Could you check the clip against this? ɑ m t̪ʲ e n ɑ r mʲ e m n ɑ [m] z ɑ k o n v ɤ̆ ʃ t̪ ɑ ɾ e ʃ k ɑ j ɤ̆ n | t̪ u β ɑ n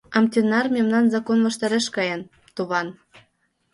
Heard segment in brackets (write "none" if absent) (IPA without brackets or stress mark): n